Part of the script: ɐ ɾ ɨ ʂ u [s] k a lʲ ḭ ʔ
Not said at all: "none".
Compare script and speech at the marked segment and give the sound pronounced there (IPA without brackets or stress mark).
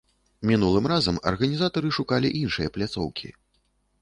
none